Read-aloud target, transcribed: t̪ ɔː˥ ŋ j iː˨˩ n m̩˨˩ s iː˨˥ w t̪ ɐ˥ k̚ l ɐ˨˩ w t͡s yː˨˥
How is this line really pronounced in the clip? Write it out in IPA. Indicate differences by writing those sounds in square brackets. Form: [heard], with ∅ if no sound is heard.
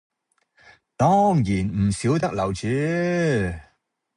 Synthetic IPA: t̪ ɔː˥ ŋ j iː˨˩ n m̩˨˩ s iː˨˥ w t̪ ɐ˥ k̚ l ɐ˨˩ w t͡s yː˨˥